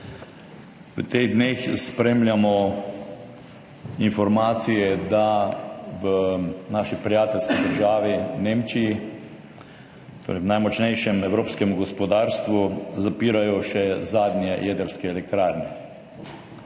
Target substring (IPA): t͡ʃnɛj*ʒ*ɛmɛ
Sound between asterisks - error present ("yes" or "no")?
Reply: yes